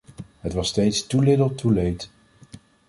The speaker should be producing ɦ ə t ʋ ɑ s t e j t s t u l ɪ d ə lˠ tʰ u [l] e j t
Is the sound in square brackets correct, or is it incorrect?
correct